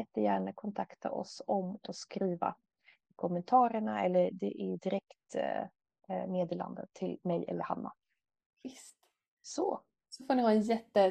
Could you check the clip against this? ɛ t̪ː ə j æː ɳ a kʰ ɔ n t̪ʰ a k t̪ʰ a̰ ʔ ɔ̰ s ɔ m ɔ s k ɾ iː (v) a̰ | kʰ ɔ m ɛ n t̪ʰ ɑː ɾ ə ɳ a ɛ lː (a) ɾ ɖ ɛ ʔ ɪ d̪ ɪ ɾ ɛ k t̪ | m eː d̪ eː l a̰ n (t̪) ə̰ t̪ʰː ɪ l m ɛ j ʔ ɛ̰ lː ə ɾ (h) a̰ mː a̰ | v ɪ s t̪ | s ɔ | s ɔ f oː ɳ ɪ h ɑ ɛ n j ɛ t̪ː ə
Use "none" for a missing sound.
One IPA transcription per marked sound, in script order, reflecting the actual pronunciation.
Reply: v, ə, d̪, h

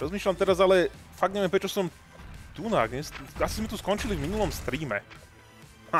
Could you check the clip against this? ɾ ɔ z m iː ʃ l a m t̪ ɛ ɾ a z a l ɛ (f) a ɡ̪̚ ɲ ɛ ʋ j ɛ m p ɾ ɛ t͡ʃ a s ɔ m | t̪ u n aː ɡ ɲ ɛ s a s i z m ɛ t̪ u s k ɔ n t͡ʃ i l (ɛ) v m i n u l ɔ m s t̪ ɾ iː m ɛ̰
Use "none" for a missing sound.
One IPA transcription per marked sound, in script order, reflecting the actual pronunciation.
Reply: f, i

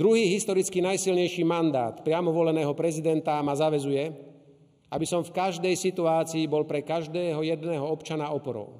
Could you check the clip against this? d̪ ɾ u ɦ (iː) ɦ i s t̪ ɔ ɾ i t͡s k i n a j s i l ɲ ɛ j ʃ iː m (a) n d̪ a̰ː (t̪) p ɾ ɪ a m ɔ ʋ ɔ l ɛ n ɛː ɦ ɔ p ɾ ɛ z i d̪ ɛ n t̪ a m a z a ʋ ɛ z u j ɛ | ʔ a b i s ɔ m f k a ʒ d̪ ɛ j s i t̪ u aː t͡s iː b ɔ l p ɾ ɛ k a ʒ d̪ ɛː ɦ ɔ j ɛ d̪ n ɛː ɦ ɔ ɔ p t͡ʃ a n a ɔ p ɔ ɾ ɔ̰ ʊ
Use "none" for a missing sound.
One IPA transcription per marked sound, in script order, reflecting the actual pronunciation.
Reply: iː, a, t̪

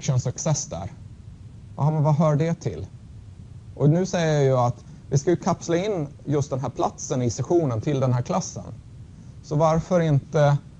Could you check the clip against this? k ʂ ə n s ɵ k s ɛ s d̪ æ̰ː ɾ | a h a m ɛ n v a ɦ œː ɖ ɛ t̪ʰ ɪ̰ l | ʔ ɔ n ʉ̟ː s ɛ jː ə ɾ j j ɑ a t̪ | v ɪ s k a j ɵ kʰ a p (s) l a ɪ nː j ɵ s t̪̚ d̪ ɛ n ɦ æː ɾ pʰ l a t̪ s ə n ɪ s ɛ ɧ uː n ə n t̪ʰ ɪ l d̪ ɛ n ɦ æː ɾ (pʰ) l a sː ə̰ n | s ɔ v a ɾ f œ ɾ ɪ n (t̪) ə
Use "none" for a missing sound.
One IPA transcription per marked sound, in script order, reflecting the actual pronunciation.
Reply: s, kʰ, t̪

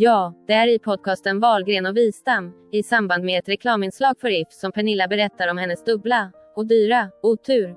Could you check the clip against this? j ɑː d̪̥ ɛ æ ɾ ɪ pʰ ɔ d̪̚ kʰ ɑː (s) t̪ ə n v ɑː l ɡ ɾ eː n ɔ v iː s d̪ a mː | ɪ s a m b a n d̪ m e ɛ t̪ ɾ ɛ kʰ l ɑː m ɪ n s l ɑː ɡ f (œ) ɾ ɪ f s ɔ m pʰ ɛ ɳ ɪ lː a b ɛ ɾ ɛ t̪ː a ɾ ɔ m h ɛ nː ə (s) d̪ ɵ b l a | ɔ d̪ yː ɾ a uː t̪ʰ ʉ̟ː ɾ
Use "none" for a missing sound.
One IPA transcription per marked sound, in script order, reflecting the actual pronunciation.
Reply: s, œ, s

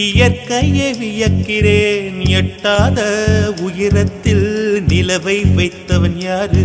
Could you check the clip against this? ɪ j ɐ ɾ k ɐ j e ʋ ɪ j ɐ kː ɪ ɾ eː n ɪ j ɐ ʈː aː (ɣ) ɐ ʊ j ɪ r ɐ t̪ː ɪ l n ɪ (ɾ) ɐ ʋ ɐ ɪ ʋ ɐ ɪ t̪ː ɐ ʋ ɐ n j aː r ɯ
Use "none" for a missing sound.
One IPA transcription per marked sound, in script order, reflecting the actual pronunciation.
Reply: ð, l

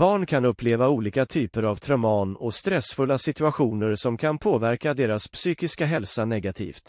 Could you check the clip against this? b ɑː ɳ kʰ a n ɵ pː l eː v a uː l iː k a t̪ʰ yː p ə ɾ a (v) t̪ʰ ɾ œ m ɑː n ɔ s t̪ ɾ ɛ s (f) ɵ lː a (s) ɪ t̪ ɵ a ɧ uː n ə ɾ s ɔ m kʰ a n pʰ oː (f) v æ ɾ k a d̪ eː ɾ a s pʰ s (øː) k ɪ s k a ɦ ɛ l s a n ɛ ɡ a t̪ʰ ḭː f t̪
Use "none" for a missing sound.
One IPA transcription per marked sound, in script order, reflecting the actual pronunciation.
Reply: v, f, s, none, yː

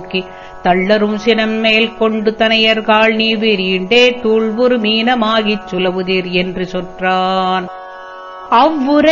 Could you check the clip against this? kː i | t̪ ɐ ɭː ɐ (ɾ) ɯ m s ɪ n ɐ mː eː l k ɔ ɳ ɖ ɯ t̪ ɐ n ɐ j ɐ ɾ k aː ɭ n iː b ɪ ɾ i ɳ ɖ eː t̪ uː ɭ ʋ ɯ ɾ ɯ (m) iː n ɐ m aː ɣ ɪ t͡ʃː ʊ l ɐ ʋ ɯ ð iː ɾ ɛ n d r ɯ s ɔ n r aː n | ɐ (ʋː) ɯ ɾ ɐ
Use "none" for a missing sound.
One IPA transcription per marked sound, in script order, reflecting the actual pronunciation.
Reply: ɾ, m, ʋː

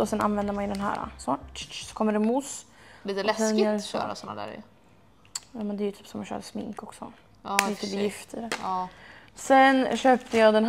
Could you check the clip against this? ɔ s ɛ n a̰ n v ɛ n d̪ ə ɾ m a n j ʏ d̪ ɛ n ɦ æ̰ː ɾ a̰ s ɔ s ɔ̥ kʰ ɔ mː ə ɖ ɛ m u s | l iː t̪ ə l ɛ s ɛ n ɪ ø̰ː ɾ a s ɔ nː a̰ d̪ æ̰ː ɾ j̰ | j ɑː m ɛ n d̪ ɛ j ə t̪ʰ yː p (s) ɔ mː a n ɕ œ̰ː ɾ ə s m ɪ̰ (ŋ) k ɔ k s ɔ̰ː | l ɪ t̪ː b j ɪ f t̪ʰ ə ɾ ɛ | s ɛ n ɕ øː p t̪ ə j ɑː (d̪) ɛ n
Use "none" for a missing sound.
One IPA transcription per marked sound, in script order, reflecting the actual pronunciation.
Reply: s, ŋ, d̪

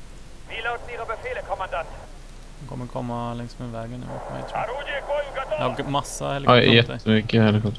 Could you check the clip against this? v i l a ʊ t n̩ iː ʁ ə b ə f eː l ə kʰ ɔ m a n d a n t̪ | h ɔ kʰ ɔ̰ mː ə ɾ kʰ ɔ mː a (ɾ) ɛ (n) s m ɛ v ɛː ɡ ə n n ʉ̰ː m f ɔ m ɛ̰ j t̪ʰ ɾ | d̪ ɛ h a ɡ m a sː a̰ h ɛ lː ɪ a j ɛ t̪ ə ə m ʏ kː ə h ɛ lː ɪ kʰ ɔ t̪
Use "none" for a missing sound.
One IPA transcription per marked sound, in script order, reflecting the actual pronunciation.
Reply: l, ŋ

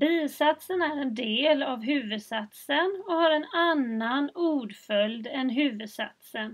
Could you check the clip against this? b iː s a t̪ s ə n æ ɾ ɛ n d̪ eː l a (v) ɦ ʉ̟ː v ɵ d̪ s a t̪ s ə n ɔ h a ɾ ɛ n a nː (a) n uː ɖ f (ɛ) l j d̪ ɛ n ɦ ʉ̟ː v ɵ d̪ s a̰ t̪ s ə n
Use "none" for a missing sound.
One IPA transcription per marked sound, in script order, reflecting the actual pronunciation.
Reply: v, a, œ

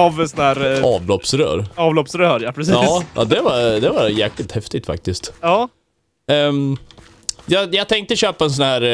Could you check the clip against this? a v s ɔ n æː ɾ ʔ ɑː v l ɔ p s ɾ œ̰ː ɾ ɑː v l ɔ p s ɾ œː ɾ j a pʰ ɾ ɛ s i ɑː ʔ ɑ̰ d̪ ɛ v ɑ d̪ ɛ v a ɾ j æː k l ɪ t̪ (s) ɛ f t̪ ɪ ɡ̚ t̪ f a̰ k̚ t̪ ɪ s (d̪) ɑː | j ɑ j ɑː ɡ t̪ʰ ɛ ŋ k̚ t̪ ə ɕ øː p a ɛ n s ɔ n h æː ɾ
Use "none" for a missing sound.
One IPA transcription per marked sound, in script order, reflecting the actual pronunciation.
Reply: h, t̪

